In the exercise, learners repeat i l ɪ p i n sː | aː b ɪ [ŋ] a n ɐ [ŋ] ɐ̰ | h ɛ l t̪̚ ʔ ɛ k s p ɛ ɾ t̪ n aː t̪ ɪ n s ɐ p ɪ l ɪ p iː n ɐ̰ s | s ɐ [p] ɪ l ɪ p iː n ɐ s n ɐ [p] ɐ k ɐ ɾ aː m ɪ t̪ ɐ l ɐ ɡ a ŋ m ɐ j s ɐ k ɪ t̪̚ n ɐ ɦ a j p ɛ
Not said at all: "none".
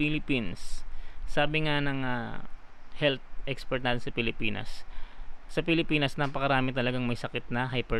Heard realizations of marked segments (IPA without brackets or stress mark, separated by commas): ŋ, ŋ, p, p